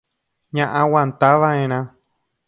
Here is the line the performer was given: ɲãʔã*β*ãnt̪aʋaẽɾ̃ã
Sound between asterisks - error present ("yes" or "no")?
yes